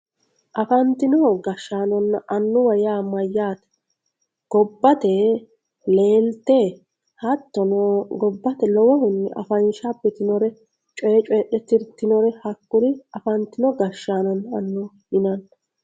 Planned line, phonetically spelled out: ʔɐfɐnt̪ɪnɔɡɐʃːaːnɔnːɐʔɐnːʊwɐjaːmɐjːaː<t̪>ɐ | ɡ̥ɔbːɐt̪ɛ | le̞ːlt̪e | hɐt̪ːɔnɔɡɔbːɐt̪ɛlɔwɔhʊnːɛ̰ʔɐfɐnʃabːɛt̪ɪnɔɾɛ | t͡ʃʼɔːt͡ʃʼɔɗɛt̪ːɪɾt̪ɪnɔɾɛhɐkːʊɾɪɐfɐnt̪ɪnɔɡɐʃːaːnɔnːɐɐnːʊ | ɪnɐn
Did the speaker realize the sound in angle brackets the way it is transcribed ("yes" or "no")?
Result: yes